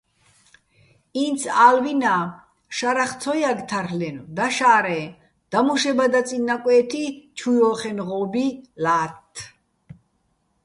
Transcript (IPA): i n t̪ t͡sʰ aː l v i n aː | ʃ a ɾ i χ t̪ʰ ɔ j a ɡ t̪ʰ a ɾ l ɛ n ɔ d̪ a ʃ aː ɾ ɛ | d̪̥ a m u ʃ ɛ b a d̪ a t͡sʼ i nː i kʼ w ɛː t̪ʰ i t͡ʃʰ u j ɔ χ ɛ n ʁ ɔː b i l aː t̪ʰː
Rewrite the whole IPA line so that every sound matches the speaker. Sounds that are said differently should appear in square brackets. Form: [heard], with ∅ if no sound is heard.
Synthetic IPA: i n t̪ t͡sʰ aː l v i n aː | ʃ a ɾ [a] χ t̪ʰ ɔ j a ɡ t̪ʰ a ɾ l ɛ n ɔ d̪ a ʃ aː ɾ ɛ | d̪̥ a m u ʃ ɛ b a d̪ a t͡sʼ i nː [a] kʼ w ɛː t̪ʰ i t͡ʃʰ u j ɔ χ ɛ n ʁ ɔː b i l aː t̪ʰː